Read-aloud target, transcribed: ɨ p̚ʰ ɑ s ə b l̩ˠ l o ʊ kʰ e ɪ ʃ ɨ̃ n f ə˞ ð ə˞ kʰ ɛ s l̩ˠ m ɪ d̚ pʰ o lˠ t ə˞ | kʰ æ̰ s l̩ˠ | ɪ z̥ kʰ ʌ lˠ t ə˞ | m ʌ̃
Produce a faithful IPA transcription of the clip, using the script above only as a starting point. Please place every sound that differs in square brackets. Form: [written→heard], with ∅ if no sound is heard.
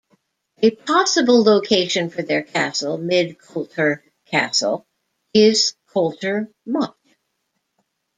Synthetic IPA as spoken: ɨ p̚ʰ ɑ s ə b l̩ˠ l o ʊ kʰ e ɪ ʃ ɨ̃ n f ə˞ ð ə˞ kʰ [ɛ→æ] s l̩ˠ m ɪ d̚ [pʰ→kʰ] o lˠ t ə˞ | kʰ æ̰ s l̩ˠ | ɪ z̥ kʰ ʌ lˠ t ə˞ | m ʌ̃